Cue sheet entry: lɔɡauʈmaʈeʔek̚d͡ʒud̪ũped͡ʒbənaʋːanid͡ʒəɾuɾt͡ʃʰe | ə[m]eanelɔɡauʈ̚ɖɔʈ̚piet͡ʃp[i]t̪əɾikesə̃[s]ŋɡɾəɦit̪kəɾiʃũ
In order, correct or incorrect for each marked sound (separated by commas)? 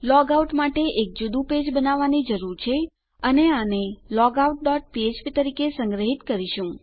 incorrect, correct, incorrect